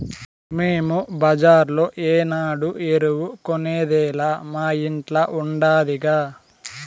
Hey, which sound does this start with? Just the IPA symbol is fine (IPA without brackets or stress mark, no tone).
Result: m